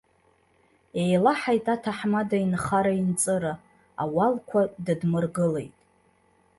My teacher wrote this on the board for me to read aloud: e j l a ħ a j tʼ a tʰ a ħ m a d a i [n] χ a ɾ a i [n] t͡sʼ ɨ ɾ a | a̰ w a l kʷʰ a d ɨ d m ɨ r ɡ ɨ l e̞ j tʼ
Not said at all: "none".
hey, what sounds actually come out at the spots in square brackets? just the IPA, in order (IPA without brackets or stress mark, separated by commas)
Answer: n, n